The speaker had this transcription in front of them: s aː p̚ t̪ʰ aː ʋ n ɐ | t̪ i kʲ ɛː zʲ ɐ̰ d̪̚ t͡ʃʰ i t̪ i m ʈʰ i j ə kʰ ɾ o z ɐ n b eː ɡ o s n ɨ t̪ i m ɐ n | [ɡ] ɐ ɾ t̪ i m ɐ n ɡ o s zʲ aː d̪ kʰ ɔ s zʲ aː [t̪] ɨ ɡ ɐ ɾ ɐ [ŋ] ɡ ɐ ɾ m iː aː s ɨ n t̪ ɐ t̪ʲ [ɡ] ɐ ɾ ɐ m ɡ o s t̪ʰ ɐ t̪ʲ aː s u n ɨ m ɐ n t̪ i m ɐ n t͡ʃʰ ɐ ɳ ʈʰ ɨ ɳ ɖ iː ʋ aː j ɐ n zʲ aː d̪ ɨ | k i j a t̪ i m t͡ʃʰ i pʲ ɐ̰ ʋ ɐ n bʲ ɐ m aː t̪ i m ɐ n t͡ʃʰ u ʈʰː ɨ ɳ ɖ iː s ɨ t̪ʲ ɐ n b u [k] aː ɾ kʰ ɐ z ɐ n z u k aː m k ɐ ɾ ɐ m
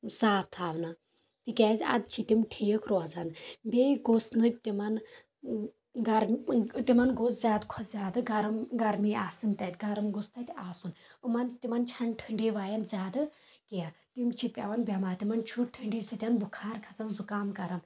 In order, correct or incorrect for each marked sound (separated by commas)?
correct, incorrect, incorrect, correct, incorrect